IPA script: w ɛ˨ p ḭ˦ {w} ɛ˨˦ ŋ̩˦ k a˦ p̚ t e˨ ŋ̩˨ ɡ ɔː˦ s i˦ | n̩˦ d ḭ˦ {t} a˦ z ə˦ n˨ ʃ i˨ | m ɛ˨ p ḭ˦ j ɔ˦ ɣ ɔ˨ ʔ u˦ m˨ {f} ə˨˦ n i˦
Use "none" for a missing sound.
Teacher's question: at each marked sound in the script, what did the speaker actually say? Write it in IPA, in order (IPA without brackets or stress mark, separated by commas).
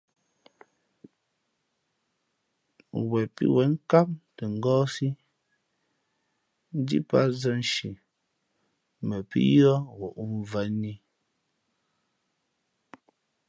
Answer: w, p, v